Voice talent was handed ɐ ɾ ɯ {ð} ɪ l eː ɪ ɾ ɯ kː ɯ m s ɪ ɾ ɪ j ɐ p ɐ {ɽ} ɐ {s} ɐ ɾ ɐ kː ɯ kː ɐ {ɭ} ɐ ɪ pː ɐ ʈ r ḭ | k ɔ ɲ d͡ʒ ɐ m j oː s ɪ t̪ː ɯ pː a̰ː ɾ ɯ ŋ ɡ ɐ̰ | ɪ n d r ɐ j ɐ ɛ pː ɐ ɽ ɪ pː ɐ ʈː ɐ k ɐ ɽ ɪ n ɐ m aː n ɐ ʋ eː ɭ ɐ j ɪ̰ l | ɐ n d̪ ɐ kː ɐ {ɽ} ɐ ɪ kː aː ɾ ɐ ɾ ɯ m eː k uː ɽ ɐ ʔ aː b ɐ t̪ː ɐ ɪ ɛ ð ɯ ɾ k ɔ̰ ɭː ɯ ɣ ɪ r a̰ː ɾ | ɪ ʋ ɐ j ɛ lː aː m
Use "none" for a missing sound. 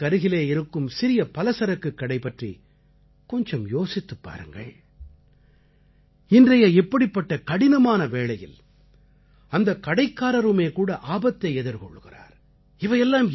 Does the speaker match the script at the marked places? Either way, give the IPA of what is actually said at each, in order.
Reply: ɣ, l, s, ɽ, ɽ

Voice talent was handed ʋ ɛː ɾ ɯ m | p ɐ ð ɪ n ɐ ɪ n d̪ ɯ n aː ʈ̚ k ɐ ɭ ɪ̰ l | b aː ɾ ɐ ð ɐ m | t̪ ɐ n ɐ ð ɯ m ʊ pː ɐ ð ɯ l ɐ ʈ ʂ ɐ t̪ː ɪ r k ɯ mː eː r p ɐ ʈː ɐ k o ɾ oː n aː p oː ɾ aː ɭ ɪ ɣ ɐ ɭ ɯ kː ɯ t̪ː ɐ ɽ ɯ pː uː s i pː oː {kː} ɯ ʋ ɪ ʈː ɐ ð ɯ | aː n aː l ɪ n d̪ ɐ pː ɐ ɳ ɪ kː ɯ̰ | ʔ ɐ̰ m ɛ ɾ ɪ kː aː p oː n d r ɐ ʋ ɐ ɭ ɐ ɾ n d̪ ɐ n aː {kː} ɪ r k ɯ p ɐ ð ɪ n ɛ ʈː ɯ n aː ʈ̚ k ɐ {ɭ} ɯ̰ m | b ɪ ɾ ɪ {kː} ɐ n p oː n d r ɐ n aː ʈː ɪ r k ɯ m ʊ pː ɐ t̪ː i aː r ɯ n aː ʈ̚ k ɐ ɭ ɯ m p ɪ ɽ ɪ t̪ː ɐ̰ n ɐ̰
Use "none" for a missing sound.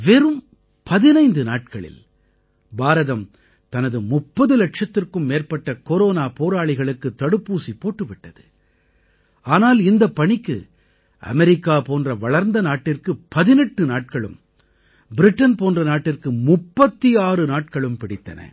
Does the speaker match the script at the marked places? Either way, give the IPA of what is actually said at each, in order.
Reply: ʈː, ʈː, ɭ, ʈː

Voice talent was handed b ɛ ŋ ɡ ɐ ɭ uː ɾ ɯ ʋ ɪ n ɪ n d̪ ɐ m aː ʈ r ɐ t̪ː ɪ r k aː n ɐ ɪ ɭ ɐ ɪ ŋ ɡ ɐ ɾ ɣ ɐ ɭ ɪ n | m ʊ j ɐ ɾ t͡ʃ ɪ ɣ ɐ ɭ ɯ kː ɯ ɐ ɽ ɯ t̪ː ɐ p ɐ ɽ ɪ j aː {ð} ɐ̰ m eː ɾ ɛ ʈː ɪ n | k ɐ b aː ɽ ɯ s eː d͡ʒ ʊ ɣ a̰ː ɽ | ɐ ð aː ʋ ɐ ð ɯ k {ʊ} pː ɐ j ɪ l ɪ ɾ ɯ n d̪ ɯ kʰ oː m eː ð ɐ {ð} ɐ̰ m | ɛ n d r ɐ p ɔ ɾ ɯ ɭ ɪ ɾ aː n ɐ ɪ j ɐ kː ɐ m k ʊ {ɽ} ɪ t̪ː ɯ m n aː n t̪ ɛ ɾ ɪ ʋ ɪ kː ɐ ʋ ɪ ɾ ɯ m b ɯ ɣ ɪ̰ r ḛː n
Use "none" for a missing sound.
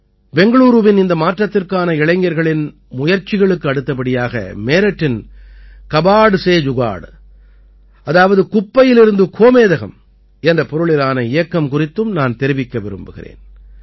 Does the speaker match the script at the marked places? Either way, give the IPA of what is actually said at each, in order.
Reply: ɣ, ʊ, ɣ, r

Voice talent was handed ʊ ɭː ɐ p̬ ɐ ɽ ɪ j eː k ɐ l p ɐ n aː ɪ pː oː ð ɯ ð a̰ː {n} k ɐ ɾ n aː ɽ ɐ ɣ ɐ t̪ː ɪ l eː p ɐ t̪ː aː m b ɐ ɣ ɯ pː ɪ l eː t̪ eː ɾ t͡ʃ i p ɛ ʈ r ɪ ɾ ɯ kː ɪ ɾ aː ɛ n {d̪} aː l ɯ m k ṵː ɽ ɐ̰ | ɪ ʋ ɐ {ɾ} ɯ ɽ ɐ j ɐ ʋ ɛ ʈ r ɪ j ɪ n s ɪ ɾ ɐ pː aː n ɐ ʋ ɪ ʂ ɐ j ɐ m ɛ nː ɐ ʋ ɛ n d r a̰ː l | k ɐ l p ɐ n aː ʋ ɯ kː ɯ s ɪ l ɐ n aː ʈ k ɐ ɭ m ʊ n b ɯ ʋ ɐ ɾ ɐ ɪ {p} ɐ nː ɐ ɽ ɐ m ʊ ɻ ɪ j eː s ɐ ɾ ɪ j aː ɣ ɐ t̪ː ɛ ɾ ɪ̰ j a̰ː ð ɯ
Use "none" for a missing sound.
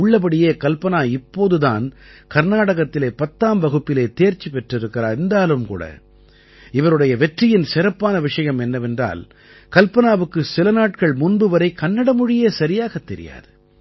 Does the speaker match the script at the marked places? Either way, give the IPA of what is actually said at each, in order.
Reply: n, d̪, ɾ, k

